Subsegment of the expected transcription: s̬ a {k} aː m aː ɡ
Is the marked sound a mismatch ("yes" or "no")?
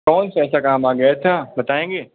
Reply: no